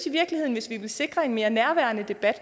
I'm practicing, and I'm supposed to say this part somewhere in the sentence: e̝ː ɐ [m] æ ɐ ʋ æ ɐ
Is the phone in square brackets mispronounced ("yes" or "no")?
yes